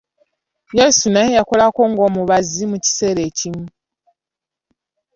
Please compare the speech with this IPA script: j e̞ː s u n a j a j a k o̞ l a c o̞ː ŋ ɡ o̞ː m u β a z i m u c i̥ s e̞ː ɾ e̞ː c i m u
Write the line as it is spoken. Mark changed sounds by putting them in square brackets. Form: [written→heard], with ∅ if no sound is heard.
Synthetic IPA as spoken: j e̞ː s u n a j [a→e] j a k o̞ l a [c→k] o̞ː ŋ ɡ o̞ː m u β a z i m u c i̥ s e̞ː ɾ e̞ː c i m u